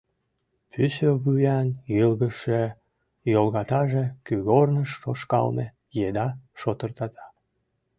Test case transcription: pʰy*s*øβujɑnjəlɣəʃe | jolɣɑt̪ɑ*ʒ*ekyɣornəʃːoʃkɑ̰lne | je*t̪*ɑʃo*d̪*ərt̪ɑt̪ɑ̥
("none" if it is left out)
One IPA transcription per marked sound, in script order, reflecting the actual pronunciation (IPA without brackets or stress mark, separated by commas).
s, ʒ, d̪, t̪